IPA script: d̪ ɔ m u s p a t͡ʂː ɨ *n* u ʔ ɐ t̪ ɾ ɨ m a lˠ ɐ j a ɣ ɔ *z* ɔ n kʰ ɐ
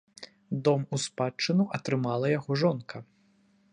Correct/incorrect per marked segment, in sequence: correct, incorrect

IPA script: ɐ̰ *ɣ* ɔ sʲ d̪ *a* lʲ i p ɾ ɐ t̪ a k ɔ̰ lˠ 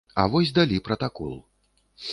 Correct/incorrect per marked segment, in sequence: incorrect, correct

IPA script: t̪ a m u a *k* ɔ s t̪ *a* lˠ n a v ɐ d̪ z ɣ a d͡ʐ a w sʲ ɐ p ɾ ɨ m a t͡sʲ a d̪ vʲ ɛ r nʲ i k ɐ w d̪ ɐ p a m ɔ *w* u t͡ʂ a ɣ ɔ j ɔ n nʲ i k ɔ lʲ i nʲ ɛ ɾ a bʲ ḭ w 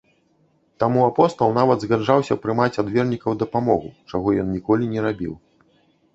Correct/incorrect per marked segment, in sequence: incorrect, incorrect, incorrect

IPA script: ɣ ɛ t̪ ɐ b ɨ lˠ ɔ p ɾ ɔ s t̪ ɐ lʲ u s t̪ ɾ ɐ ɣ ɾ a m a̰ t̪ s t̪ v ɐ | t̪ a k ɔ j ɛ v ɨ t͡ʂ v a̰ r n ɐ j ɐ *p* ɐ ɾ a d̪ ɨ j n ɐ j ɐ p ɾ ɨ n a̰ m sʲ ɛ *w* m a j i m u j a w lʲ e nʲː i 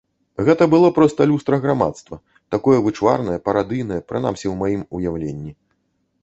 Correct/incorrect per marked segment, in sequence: correct, correct

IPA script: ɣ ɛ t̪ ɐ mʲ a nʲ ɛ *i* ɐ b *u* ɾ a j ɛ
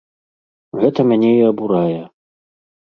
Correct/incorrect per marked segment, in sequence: correct, correct

